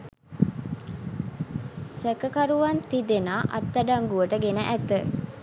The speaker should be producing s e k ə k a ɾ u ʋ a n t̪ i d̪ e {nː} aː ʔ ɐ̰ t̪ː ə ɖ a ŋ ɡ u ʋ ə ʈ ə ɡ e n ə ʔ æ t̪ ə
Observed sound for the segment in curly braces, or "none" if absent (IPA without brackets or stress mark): n